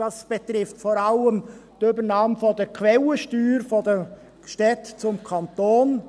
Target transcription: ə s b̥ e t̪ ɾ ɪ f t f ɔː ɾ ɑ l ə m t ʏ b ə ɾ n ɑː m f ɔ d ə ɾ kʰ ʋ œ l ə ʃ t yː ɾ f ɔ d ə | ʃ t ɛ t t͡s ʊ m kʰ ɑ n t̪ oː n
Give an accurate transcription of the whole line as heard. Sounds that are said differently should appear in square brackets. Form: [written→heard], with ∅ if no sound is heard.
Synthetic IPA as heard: [ə→ɑ] s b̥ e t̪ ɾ ɪ f t f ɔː ɾ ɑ l ə m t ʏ b ə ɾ n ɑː m f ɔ d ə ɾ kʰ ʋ [œ→ɛ] l ə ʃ t yː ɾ f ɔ d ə | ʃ t ɛ t t͡s ʊ m kʰ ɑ n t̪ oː n